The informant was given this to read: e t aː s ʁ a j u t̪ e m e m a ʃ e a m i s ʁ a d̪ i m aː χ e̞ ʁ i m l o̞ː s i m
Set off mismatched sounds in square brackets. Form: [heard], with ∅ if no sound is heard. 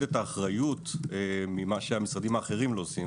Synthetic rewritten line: e t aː [χ] ʁ a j u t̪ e m [i] m a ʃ e a m i s ʁ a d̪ i m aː χ e̞ ʁ i m l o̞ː s i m